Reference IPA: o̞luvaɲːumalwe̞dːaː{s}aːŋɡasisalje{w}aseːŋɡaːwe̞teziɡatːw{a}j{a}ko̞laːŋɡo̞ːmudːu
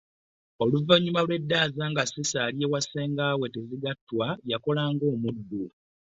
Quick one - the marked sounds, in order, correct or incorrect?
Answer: incorrect: z, correct, correct, correct

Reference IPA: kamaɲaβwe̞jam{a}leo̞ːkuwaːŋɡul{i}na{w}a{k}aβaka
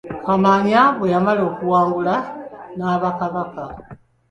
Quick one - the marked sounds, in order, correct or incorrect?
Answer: correct, incorrect: a, incorrect: β, correct

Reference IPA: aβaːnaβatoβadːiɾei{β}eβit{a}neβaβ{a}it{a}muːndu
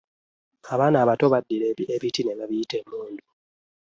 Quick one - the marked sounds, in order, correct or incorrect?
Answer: incorrect: none, incorrect: i, incorrect: i, incorrect: e

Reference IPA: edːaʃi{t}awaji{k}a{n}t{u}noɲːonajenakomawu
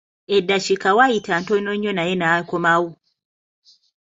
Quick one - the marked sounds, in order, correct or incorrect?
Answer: incorrect: k, incorrect: t, correct, incorrect: o

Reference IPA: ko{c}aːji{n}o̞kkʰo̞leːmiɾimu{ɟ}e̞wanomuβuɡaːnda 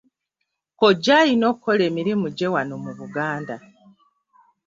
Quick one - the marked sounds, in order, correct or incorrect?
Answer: incorrect: ɟ, correct, correct

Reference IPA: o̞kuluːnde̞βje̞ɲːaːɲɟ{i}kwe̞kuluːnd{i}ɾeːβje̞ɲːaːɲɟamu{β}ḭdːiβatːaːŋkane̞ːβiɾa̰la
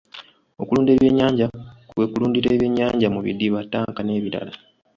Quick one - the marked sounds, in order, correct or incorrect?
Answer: incorrect: a, correct, correct

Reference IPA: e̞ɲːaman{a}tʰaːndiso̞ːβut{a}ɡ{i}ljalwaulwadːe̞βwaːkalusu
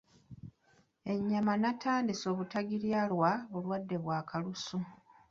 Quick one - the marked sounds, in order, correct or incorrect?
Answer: correct, correct, correct

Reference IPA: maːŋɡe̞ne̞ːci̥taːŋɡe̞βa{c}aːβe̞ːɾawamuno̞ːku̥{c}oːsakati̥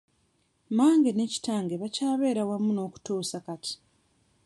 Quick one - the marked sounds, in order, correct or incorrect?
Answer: correct, incorrect: t

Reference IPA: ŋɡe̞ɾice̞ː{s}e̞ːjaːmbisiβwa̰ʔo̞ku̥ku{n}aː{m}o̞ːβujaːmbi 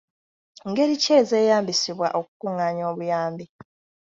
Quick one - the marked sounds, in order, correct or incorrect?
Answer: incorrect: z, incorrect: ŋ, incorrect: ɲ

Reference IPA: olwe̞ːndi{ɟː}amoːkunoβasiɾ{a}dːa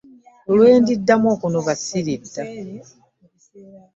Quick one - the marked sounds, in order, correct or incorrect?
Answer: incorrect: dː, incorrect: i

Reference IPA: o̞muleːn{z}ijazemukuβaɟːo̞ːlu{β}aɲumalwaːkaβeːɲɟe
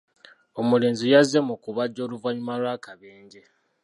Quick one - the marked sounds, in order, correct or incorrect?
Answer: correct, incorrect: v

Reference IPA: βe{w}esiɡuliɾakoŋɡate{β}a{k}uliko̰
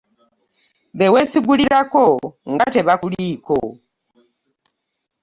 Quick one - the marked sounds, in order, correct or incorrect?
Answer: correct, correct, correct

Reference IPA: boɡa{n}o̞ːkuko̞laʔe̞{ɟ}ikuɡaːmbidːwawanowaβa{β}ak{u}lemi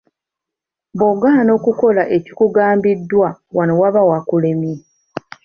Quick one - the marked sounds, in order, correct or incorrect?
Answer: correct, incorrect: c, incorrect: w, correct

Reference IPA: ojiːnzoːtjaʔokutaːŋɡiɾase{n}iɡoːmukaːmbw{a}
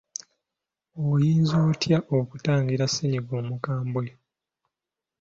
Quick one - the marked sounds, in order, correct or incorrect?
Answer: incorrect: ɲ, incorrect: e

